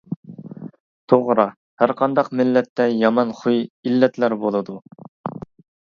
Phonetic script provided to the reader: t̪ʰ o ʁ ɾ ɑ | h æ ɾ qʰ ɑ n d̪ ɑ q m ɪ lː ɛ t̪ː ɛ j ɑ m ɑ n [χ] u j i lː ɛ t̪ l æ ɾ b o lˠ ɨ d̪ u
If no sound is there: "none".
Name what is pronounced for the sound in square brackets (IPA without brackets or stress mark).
χ